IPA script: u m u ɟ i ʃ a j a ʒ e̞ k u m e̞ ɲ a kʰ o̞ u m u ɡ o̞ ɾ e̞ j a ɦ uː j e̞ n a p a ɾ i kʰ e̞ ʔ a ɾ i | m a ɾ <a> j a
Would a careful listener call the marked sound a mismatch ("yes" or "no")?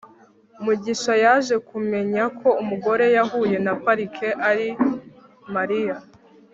yes